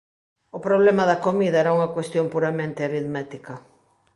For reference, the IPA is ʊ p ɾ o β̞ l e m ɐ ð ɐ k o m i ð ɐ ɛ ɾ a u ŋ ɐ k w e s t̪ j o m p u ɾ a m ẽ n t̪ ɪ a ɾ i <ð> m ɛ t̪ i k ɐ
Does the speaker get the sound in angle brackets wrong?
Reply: no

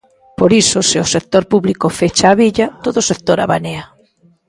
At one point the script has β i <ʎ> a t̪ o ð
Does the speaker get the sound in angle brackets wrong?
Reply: no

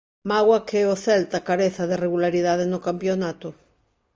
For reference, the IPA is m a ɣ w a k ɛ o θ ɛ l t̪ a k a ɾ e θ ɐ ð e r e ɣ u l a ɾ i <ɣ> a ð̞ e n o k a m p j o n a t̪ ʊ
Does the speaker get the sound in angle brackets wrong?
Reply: yes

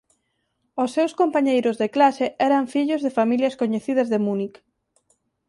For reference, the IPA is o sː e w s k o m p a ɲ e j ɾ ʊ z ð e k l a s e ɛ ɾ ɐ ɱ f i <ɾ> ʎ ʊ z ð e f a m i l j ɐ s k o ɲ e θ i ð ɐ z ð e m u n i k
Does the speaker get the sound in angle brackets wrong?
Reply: yes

